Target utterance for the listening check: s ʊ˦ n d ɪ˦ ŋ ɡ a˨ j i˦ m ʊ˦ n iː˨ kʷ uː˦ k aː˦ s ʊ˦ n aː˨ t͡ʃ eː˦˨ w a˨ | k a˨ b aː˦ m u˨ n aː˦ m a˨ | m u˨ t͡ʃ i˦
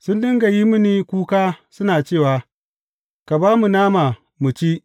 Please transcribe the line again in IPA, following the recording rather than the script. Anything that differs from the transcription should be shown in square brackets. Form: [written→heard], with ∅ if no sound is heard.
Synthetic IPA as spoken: s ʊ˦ n d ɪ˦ ŋ ɡ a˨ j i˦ m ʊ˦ n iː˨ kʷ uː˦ k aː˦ s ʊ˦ n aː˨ t͡ʃ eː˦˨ w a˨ | k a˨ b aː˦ m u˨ n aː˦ m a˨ | m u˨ t͡ʃ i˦